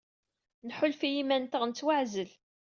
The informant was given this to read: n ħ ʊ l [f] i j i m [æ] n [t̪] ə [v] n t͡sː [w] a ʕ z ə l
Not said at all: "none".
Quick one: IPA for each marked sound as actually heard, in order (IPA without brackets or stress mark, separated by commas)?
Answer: f, æ, t̪, ʁ, w